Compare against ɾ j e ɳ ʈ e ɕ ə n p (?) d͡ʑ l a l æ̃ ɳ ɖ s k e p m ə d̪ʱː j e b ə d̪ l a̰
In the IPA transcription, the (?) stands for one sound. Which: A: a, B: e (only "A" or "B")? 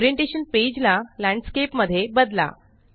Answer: B